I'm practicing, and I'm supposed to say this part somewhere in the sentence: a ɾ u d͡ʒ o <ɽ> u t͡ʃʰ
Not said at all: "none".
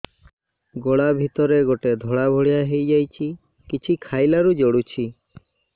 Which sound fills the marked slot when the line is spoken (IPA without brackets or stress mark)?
ɽ